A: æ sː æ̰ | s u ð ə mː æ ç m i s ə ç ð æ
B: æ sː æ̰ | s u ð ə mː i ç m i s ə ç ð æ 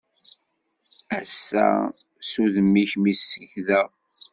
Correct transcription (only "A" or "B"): B